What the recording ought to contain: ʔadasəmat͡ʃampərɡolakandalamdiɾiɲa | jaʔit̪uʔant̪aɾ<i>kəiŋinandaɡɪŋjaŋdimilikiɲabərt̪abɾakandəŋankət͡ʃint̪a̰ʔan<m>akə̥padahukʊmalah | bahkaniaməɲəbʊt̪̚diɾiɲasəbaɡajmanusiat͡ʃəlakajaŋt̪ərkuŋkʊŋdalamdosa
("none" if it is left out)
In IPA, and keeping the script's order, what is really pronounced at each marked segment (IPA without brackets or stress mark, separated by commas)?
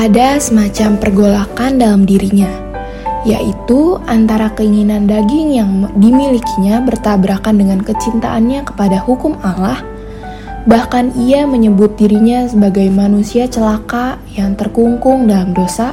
a, ɲ